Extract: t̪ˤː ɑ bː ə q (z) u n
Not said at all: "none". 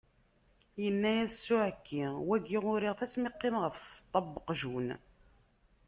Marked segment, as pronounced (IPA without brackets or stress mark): ʒ